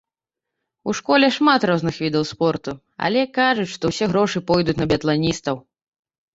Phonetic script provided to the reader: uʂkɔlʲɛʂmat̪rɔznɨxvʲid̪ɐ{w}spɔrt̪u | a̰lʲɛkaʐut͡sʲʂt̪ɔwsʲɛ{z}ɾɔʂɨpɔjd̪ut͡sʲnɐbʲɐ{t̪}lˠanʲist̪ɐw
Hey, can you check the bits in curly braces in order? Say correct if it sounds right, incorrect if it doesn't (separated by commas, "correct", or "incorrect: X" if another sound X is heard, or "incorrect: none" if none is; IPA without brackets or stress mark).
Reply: correct, incorrect: ɣ, correct